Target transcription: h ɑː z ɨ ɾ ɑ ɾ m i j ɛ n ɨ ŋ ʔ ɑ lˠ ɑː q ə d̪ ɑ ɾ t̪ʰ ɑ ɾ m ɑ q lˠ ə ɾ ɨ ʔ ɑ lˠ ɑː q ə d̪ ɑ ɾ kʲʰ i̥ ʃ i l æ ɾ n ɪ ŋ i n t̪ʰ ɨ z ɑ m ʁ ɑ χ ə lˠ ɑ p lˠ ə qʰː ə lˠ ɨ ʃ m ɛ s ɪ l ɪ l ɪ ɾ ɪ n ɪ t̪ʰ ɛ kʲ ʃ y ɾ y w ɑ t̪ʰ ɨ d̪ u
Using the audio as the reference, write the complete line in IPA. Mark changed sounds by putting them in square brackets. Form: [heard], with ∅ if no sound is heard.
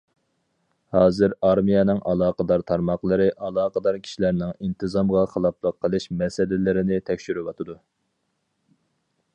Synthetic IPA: h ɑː z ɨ ɾ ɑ ɾ m i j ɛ n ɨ ŋ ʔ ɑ lˠ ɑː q ə d̪ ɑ ɾ t̪ʰ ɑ ɾ m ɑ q lˠ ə ɾ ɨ ʔ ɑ lˠ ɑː q ə d̪ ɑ ɾ kʲʰ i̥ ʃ i l æ ɾ n ɪ ŋ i n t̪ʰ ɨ z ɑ m ʁ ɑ χ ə lˠ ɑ p lˠ ə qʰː ə lˠ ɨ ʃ m ɛ s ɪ l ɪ l ɪ ɾ ɪ n ɪ t̪ʰ ɛ kʲ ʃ y ɾ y w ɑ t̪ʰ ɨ d̪ u